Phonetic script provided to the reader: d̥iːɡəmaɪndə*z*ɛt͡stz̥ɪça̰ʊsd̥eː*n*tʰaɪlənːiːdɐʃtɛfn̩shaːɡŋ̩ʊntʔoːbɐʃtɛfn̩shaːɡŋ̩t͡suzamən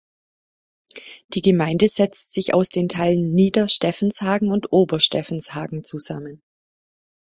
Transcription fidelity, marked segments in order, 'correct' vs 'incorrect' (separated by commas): correct, correct